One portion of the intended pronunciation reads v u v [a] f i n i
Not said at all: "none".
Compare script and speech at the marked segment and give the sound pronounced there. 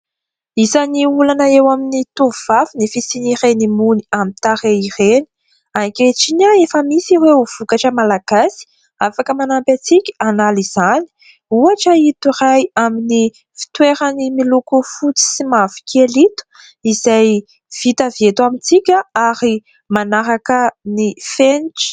a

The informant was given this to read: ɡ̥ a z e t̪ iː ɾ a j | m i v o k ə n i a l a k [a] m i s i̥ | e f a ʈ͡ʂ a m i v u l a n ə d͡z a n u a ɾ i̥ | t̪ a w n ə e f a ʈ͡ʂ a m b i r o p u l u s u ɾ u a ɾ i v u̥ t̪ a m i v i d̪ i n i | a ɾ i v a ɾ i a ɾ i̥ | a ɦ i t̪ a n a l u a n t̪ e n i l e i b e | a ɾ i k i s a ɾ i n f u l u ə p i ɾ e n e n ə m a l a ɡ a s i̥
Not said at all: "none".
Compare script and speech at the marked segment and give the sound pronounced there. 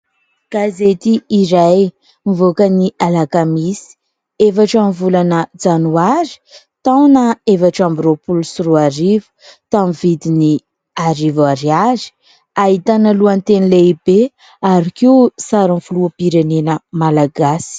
a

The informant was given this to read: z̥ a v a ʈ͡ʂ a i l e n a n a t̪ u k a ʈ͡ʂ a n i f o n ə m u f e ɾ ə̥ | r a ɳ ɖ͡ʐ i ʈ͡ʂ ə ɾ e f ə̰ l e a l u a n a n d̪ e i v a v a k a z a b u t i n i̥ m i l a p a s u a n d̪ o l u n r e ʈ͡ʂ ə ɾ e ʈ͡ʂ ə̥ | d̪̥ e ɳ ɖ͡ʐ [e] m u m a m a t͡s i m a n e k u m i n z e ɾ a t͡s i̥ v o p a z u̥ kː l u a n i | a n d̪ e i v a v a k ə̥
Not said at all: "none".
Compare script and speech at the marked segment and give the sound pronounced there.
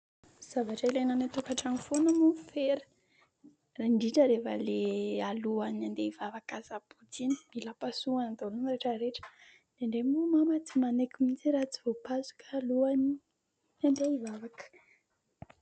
e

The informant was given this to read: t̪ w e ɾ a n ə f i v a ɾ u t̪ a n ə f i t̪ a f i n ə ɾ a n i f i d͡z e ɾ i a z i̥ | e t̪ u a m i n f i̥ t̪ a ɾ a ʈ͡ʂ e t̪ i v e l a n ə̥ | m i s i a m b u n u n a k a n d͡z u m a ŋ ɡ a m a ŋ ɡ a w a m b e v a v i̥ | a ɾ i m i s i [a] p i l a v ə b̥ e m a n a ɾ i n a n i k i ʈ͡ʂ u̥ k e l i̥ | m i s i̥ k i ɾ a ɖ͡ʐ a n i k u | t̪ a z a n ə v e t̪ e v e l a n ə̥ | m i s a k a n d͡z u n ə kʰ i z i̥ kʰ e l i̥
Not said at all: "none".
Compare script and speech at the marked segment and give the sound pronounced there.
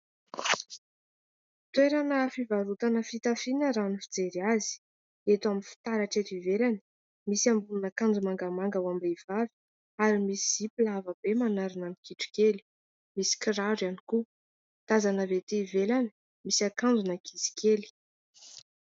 i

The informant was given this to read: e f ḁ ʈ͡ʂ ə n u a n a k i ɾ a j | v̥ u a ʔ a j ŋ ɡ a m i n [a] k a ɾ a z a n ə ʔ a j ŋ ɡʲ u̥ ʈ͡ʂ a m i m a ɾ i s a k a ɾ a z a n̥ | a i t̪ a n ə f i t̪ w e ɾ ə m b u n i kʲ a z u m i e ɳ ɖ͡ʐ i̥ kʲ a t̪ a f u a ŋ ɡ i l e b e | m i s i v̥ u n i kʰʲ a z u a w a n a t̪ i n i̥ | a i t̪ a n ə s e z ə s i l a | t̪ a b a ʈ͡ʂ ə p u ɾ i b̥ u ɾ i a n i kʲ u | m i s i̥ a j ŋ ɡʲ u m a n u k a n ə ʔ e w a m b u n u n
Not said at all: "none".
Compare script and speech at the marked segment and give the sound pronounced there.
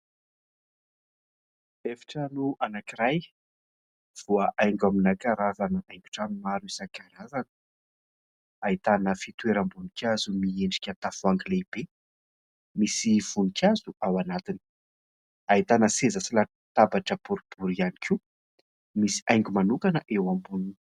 a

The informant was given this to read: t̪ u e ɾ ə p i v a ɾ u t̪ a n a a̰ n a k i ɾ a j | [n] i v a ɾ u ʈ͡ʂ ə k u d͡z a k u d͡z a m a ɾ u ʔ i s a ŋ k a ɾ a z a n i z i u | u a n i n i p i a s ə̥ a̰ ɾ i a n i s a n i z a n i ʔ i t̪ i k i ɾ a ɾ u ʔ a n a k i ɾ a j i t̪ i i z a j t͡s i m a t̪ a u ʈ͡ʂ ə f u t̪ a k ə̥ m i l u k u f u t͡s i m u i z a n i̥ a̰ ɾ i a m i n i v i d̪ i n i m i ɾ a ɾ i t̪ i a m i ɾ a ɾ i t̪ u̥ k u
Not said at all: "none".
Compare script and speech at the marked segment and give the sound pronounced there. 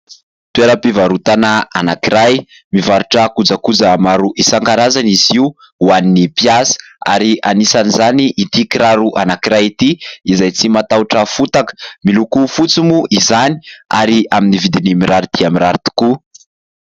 m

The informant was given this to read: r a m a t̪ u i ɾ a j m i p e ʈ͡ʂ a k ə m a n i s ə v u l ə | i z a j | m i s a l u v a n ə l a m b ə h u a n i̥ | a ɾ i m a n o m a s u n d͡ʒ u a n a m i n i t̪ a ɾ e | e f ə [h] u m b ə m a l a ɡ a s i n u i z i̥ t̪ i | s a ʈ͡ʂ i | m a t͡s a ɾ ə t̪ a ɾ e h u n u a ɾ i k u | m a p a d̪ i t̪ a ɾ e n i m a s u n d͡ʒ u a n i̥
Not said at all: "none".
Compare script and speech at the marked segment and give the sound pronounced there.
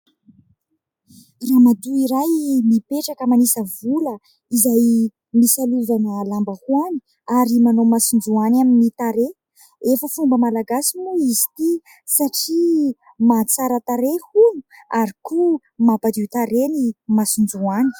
f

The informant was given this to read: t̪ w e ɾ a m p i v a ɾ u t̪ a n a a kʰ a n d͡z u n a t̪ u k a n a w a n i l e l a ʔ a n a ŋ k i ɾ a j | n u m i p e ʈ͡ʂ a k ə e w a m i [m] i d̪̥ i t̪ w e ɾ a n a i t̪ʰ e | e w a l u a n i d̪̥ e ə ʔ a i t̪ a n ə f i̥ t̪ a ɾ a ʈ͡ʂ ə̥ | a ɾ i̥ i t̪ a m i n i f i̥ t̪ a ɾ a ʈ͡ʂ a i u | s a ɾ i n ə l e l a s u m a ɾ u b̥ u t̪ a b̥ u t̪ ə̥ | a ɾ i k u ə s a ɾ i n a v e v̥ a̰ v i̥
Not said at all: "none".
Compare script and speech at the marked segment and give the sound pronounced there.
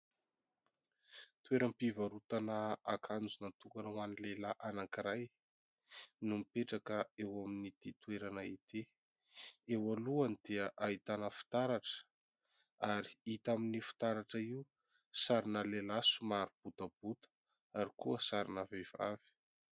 n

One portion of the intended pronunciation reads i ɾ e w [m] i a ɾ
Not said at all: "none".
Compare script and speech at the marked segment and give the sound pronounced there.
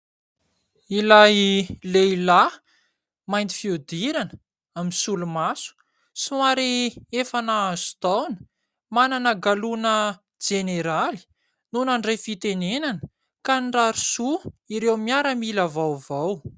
m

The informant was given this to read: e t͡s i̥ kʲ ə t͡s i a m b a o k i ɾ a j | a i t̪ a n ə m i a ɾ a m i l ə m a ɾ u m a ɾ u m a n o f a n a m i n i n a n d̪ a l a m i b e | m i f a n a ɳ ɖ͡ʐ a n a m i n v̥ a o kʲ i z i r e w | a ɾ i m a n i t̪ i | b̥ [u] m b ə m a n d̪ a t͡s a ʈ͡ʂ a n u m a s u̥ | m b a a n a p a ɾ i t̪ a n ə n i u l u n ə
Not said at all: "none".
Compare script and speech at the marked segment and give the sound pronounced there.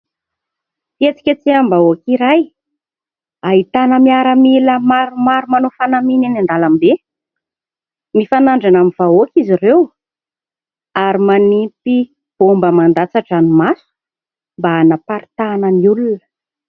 o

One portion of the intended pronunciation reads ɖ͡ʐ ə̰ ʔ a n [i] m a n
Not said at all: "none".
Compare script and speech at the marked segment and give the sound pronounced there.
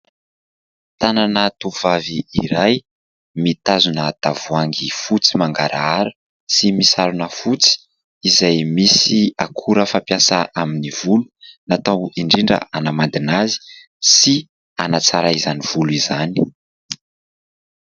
a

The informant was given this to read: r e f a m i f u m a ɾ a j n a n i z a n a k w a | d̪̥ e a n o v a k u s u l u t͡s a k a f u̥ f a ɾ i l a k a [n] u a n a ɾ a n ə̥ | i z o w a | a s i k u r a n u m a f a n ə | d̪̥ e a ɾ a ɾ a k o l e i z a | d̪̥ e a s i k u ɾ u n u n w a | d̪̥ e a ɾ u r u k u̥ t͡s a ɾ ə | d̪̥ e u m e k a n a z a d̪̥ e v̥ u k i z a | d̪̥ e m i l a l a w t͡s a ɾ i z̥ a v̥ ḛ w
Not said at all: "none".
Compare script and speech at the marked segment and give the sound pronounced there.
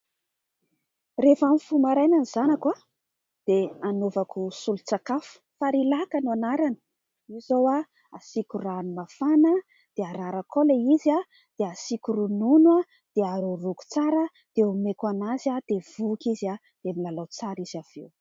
n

